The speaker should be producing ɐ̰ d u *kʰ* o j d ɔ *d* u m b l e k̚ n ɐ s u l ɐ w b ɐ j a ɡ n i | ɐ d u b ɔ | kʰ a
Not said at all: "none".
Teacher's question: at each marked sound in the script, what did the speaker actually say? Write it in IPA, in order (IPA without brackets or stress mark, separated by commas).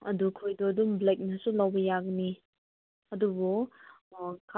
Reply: kʰ, d